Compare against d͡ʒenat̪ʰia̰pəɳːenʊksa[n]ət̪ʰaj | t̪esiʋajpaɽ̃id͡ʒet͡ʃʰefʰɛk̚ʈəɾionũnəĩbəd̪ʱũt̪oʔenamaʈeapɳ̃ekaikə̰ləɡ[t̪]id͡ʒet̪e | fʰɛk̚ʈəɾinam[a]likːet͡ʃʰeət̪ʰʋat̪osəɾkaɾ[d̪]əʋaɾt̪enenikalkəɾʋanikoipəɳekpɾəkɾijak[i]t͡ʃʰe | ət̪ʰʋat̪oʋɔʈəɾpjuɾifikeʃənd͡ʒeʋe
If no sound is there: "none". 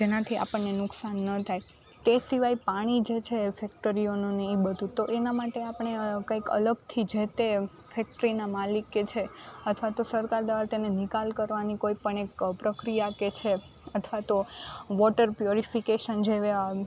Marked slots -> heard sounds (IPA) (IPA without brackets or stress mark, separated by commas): nː, t̪ʰ, a, d̪, e